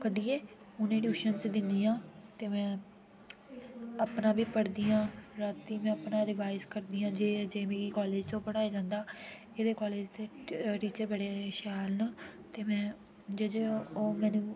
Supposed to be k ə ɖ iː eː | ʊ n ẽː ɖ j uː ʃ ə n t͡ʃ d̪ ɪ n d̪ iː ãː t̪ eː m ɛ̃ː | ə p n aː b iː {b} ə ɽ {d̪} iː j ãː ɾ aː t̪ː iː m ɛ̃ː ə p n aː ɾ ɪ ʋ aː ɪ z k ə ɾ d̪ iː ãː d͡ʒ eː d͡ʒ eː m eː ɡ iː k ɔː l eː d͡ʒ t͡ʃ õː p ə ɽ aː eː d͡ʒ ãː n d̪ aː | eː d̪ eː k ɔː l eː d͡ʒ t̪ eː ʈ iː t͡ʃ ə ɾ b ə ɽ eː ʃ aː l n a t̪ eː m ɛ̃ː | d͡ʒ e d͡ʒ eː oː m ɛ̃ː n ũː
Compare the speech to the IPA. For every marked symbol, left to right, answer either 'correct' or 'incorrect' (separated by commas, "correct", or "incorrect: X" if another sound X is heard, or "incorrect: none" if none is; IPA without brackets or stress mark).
incorrect: p, correct